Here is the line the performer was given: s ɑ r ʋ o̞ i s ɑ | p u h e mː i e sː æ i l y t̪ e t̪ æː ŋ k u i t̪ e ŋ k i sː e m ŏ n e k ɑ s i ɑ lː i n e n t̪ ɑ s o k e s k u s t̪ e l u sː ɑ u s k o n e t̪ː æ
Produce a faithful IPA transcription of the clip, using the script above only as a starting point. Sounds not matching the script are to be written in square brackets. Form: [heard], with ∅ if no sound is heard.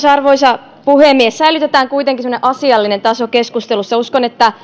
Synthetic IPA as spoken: s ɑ r ʋ o̞ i s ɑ | p u h e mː i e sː æ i l y t̪ e t̪ æː ŋ k u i t̪ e ŋ k i [s] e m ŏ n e [ʔ] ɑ s i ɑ lː i n e n t̪ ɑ s o k e s k u s t̪ e l u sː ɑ u s k o n e t̪ː æ